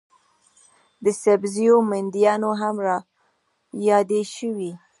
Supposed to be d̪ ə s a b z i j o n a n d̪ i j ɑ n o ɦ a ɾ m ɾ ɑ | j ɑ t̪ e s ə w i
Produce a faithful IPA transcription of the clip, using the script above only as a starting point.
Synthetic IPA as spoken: d̪ ə s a b z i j o m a n d̪ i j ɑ n o ɦ a m ɾ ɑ | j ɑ d̪ e ʃ ə w i